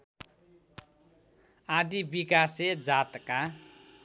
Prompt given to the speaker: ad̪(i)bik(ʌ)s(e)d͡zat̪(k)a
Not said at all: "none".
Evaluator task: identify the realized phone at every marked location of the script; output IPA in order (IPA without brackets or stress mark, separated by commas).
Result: i, a, e, k